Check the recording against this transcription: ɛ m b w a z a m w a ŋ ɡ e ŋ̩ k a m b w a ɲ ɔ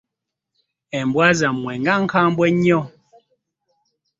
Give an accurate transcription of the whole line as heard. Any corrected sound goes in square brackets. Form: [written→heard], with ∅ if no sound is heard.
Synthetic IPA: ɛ m b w a z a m w [a→ɛ] ŋ ɡ [e→a] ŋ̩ k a m b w [a→ɛ] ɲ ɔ